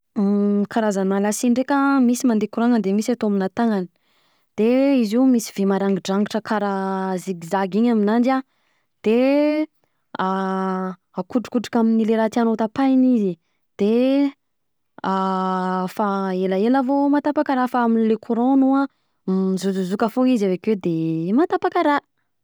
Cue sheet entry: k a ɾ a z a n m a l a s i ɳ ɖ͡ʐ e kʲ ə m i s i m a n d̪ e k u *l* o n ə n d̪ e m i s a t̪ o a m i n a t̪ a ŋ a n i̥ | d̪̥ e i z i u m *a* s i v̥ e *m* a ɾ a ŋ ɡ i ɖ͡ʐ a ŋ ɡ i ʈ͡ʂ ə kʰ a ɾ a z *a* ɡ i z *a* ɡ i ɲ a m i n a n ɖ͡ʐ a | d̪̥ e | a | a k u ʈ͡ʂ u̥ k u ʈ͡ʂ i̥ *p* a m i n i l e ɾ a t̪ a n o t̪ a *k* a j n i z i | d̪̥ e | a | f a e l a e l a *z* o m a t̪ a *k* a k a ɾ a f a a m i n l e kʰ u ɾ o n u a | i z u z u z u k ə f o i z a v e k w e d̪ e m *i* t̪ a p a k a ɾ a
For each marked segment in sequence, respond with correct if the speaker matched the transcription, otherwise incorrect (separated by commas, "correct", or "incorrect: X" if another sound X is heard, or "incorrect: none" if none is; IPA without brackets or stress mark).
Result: incorrect: ɾ, incorrect: i, correct, incorrect: i, correct, incorrect: k, incorrect: p, incorrect: v, incorrect: p, incorrect: a